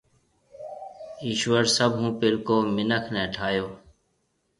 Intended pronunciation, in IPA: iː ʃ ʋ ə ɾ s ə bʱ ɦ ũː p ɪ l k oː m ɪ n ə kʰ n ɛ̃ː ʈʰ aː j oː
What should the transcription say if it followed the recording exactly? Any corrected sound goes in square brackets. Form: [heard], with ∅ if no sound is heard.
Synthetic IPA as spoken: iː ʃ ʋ ə ɾ s ə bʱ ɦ ũː p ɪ l k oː m ɪ n ə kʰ n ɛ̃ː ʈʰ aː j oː

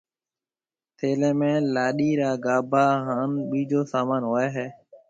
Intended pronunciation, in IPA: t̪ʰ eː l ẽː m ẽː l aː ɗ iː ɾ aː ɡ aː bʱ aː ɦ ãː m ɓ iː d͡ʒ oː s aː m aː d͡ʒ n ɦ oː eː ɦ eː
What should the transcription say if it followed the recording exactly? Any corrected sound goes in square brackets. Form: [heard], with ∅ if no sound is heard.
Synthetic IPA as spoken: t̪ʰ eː l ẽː m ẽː l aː ɗ iː ɾ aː ɡ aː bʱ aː ɦ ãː [n] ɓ iː d͡ʒ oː s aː m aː [∅] n ɦ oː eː ɦ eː

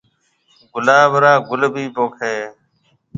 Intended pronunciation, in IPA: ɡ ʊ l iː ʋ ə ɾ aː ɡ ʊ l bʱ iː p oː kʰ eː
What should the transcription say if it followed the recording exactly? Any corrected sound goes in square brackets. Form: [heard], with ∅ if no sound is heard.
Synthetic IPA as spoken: ɡ ʊ l [aː] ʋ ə ɾ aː ɡ ʊ l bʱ iː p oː kʰ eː

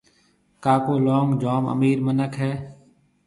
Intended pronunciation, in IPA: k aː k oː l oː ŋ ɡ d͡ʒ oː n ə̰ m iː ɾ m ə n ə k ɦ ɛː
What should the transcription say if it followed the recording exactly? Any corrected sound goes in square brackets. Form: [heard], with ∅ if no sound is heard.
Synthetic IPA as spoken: k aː k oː l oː ŋ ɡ d͡ʒ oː [m] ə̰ m iː ɾ m ə n ə k ɦ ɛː

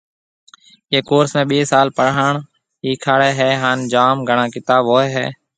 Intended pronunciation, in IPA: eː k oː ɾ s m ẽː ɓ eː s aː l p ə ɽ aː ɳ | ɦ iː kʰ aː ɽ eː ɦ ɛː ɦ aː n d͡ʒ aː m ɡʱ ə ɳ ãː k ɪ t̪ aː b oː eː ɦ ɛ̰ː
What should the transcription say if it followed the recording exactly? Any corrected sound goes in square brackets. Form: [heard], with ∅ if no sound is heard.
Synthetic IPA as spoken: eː k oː ɾ s m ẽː ɓ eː s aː l p ə ɽ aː ɳ | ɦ iː kʰ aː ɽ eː ɦ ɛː ɦ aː n d͡ʒ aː m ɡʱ ə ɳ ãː k ɪ t̪ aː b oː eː ɦ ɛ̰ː

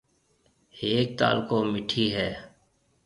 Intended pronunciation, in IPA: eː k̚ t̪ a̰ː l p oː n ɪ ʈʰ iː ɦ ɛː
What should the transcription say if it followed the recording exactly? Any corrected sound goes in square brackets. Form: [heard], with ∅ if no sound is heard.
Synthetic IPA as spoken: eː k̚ t̪ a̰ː l [k] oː [m] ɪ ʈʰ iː ɦ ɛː

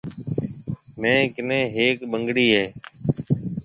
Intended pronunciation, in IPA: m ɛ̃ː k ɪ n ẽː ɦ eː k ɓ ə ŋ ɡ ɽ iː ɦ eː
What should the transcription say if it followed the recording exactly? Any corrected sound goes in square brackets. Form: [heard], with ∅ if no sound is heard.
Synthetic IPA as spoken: m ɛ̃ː k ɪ n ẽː ɦ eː k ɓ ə ŋ ɡ ɽ iː ɦ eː

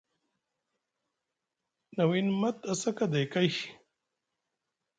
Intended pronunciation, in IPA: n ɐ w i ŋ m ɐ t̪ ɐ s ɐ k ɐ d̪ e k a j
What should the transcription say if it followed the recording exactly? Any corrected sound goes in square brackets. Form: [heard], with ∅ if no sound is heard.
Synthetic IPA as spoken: n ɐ w i [n] m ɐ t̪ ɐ s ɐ k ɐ d̪ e k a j

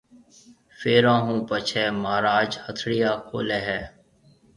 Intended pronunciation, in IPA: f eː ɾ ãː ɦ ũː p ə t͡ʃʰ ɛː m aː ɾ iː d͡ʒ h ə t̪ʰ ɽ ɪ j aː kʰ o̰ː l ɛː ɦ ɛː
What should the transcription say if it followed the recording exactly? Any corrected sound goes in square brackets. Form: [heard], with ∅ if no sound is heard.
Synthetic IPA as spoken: f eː ɾ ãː ɦ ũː p ə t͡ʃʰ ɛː m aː ɾ [aː] d͡ʒ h ə t̪ʰ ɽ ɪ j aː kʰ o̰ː l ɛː ɦ ɛː

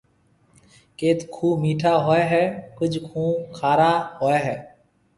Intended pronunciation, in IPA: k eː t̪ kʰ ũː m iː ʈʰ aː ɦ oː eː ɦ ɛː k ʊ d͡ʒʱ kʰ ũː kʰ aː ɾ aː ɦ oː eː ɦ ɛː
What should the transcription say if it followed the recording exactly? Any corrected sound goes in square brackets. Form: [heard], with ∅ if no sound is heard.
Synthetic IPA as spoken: k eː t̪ kʰ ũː m iː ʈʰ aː ɦ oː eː ɦ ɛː k ʊ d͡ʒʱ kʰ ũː kʰ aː ɾ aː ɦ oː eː ɦ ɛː

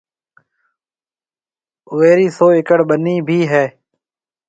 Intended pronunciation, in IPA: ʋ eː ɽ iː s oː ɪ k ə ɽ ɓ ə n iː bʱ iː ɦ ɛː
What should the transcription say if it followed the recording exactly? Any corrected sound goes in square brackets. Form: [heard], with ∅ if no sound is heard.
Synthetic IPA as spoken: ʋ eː [ɾ] iː s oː ɪ k ə ɽ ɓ ə n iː bʱ iː ɦ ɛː

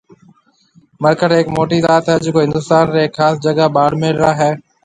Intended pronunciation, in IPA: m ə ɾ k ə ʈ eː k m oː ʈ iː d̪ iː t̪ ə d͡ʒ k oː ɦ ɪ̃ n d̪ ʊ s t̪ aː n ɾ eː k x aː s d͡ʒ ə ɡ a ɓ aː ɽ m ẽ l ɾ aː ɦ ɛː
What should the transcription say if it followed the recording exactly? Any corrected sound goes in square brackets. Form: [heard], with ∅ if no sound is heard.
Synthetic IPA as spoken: m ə ɾ k ə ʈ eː k m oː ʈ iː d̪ [aː] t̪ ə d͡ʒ k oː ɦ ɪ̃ n d̪ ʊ s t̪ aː n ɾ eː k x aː s d͡ʒ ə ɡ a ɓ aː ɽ m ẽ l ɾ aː ɦ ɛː

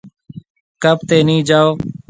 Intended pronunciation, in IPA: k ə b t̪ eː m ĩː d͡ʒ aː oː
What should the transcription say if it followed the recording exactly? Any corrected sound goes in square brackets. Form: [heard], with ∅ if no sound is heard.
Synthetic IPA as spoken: k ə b t̪ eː [n] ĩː d͡ʒ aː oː

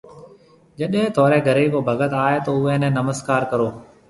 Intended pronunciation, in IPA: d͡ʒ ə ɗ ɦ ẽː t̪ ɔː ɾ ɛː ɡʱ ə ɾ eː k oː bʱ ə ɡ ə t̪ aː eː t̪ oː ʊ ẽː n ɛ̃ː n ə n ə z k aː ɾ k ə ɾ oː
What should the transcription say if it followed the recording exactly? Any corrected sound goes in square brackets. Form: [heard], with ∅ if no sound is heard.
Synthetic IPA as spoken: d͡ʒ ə ɗ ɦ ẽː t̪ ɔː ɾ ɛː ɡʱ ə ɾ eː k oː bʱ ə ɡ ə t̪ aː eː t̪ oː ʊ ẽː n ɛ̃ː n ə [m] ə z k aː ɾ k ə ɾ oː

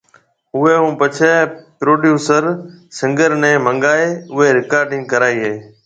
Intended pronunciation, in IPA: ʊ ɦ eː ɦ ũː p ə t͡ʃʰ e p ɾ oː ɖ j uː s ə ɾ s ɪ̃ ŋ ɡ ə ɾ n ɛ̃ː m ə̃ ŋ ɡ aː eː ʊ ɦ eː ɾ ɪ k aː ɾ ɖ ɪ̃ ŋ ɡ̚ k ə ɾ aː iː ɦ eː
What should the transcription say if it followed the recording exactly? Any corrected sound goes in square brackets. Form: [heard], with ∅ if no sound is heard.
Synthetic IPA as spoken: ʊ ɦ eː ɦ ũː p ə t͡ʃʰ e p ɾ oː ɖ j uː s ə ɾ s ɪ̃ ŋ ɡ ə ɾ n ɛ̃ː m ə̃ ŋ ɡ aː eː ʊ ɦ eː ɾ ɪ k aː ɾ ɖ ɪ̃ ŋ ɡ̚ k ə ɾ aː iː ɦ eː

